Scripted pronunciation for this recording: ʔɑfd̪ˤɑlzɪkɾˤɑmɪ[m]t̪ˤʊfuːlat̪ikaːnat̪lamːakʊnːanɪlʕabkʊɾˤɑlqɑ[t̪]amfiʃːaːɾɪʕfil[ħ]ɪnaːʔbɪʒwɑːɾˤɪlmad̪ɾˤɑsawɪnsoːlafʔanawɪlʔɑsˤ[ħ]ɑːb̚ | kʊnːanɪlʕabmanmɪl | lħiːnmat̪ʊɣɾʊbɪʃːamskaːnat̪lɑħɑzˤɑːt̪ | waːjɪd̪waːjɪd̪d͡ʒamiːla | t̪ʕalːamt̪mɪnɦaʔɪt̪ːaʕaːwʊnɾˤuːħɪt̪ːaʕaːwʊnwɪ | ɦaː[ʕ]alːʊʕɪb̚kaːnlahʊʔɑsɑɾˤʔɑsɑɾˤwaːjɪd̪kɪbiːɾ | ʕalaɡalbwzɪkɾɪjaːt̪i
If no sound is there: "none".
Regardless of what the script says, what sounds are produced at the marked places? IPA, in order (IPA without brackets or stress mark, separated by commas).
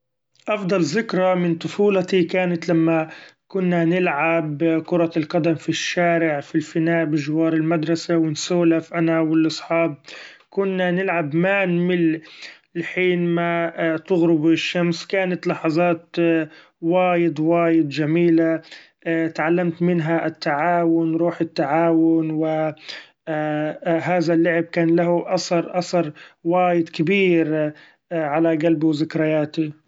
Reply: n, d̪, f, ħ, ð